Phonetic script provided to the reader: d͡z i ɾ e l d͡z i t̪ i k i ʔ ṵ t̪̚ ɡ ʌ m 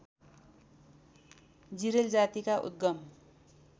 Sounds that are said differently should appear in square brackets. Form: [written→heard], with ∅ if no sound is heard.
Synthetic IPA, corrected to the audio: d͡z i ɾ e l d͡z [i→a] t̪ i k [i→a] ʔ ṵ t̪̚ ɡ ʌ m